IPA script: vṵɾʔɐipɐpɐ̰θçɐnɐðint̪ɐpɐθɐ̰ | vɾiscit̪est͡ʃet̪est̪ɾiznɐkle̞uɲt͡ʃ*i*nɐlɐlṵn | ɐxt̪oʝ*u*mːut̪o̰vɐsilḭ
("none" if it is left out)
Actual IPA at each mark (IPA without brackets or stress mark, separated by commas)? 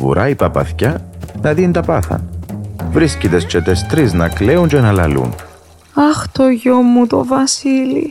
e, o